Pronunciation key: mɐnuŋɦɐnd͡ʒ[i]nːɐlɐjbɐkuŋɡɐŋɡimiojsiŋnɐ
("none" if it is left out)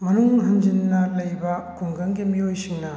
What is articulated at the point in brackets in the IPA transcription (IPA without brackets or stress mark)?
i